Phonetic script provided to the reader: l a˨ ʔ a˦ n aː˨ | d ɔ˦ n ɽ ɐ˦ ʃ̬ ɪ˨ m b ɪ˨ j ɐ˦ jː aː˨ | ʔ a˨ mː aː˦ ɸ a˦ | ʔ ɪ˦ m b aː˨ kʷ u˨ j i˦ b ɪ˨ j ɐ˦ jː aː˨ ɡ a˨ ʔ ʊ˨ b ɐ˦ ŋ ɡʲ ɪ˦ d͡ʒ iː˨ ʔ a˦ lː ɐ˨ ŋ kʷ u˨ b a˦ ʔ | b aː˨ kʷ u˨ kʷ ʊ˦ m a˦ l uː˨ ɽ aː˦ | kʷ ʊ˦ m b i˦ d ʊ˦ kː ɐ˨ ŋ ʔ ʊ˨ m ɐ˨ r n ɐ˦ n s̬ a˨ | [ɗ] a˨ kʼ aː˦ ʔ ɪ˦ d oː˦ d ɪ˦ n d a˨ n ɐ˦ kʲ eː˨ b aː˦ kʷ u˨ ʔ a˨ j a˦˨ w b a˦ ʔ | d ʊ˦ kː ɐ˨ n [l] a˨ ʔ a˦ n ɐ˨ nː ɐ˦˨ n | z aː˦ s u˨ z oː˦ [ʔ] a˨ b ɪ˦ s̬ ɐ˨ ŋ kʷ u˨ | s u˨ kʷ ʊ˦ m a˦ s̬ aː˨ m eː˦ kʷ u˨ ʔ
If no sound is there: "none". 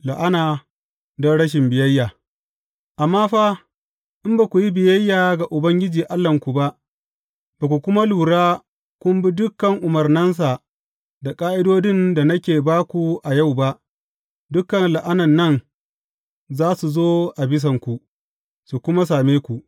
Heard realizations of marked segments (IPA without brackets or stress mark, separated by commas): d, l, ʔ